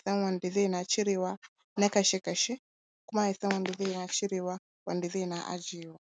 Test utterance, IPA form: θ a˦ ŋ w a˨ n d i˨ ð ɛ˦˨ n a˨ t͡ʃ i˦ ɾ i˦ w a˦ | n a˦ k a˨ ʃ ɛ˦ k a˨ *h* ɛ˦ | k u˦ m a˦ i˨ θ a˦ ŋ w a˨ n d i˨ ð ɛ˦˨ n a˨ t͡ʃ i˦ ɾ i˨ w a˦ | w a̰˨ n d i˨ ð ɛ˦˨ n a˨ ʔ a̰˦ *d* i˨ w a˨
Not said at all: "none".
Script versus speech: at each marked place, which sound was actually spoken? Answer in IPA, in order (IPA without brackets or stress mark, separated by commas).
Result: ʃ, d͡ʒ